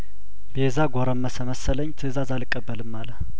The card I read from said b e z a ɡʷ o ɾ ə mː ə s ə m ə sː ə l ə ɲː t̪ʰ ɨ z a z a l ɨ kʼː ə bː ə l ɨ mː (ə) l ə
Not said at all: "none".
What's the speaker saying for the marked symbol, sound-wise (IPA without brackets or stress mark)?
a